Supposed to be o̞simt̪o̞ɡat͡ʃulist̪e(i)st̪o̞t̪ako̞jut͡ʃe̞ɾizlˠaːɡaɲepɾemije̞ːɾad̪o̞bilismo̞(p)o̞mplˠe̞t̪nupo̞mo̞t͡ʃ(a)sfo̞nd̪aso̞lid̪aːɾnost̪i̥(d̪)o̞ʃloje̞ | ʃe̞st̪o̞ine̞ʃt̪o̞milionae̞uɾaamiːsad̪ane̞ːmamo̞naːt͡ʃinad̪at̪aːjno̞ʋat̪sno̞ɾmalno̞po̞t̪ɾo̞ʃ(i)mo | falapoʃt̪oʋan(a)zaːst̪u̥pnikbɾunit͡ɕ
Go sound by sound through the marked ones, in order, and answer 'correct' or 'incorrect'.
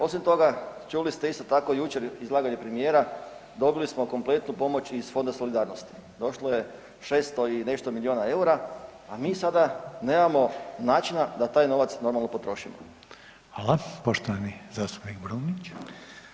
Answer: correct, incorrect: k, incorrect: i, correct, correct, incorrect: i

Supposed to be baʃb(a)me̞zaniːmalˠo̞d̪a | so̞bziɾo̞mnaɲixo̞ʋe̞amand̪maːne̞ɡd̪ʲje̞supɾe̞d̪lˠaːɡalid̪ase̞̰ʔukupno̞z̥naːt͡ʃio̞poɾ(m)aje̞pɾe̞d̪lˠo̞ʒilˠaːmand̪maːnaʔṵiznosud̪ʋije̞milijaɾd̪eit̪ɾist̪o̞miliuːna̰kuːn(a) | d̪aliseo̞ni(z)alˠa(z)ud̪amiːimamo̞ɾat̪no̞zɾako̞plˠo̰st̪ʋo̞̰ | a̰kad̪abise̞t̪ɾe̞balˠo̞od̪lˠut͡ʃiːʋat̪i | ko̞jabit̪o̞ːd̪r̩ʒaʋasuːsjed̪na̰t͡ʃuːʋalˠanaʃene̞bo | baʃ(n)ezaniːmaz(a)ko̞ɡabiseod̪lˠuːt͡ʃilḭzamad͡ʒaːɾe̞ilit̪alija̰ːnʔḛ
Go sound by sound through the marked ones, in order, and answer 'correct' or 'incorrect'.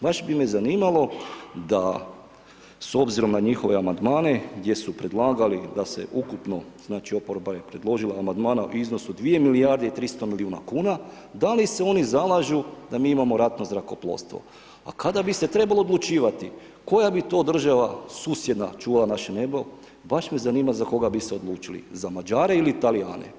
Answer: incorrect: i, incorrect: b, correct, correct, incorrect: ʒ, incorrect: m, correct

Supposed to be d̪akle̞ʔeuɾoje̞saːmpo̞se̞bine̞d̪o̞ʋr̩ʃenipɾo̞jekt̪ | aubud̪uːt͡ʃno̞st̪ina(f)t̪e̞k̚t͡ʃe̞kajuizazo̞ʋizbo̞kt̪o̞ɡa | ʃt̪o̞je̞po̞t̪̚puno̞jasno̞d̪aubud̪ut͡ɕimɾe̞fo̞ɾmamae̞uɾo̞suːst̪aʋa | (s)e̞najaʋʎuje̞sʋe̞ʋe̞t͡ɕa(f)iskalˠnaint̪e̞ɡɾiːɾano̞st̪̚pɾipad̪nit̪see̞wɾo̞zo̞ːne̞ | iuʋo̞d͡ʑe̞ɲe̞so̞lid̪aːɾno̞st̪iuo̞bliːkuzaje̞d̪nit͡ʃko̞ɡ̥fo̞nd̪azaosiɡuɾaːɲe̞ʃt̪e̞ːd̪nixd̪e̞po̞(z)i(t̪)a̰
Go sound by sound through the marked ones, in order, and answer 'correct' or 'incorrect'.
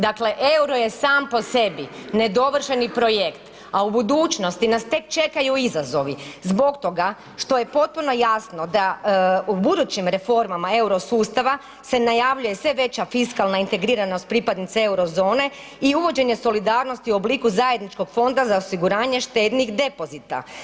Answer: incorrect: s, correct, correct, correct, correct

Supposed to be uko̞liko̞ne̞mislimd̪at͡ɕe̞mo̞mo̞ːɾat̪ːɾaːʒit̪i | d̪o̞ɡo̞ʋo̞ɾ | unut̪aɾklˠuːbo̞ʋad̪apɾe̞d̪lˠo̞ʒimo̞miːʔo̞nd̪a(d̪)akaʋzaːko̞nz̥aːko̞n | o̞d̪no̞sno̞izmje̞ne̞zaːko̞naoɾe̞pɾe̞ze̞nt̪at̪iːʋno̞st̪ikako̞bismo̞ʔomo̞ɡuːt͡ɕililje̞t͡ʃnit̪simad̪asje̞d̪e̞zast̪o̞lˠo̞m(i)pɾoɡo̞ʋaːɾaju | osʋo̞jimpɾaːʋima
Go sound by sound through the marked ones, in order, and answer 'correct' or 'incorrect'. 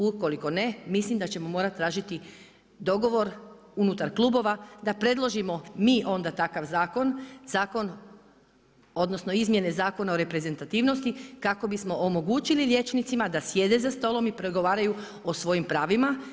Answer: incorrect: t̪, correct

